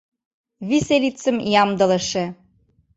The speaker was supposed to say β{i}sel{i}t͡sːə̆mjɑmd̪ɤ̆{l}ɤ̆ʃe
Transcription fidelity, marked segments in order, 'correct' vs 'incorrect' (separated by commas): correct, correct, correct